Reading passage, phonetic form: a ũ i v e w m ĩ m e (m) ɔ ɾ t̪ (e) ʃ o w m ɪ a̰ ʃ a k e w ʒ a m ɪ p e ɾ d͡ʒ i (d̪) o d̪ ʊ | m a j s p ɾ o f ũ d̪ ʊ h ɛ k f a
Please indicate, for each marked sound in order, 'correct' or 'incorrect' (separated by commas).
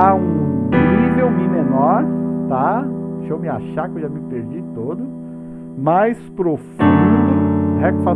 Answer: incorrect, incorrect, incorrect